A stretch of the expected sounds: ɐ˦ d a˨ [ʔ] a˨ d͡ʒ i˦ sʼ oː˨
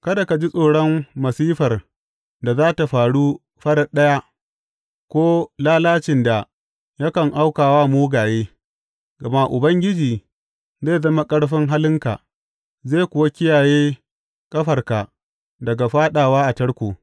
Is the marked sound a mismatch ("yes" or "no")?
yes